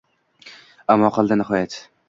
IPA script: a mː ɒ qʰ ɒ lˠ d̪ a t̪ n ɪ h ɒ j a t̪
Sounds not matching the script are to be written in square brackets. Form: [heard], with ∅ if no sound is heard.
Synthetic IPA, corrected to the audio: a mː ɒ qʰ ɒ lˠ d̪ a [∅] n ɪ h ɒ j a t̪